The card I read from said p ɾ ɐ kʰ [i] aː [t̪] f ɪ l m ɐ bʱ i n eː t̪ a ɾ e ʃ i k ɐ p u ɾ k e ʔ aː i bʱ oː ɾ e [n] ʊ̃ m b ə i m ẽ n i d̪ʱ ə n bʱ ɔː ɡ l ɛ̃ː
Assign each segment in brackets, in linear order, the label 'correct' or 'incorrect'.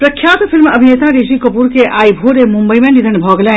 incorrect, correct, incorrect

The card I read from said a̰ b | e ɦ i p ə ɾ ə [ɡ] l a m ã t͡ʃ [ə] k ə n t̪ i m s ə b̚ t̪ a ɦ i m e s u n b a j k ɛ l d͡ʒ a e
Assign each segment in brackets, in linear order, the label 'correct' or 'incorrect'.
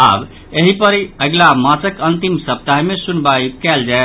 correct, correct

